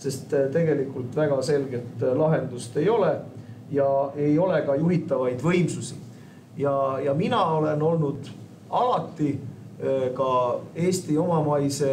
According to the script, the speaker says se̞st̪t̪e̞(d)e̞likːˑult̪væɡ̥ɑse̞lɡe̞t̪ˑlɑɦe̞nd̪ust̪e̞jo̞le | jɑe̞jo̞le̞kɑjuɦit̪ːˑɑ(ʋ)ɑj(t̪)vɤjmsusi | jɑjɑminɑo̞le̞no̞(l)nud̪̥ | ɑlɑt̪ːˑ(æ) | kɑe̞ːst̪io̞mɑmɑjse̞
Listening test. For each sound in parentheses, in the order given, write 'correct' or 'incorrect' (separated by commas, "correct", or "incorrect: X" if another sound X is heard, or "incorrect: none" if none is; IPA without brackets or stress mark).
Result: incorrect: ɡ, incorrect: v, incorrect: d̪, correct, incorrect: i